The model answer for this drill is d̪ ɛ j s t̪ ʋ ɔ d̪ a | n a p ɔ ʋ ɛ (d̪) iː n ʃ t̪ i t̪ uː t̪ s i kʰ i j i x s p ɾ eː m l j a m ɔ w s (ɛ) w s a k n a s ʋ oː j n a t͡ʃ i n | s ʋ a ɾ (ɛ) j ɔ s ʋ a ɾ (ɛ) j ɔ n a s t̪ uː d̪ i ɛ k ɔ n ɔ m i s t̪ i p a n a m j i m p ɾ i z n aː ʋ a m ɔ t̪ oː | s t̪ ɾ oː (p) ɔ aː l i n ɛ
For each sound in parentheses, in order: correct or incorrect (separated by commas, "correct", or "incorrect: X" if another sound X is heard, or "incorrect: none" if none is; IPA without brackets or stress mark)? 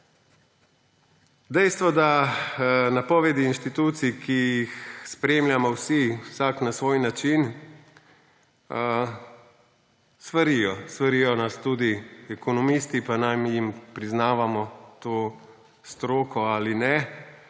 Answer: correct, incorrect: i, incorrect: i, incorrect: i, incorrect: k